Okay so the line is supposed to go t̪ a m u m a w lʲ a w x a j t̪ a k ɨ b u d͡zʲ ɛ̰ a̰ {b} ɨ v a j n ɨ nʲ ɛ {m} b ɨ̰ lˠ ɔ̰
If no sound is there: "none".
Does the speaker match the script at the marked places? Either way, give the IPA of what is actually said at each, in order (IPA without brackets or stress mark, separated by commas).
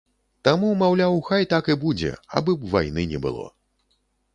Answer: b, none